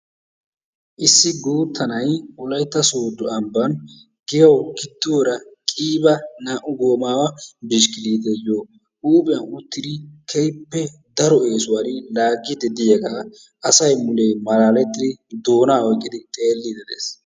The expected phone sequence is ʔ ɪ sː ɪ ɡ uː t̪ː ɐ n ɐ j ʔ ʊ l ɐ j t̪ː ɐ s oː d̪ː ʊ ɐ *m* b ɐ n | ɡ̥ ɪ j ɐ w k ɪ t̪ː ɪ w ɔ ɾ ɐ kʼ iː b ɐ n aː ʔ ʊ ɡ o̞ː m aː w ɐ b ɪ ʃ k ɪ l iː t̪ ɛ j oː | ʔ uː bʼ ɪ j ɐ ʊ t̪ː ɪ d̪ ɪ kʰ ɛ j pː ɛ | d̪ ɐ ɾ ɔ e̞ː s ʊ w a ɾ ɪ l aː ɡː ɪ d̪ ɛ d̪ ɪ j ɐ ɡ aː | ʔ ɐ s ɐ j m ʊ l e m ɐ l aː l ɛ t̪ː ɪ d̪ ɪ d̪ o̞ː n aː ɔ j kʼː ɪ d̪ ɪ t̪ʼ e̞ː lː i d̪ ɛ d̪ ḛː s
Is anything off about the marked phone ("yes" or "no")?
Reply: no